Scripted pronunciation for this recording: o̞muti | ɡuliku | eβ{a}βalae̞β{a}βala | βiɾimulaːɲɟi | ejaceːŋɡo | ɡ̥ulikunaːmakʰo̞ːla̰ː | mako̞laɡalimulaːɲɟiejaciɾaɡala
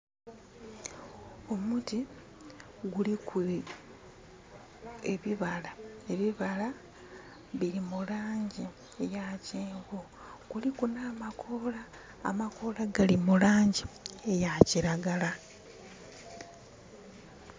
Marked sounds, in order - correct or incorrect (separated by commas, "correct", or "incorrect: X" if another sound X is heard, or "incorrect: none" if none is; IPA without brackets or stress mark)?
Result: incorrect: i, incorrect: i